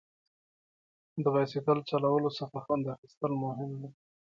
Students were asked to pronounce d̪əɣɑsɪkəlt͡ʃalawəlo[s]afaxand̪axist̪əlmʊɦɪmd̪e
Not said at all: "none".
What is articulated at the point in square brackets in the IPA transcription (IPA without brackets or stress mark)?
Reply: s